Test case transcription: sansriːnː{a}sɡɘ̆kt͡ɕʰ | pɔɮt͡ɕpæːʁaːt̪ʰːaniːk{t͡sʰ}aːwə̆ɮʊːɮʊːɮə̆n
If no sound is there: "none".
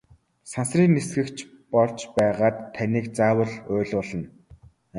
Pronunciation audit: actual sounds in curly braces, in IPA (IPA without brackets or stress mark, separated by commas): e, t͡s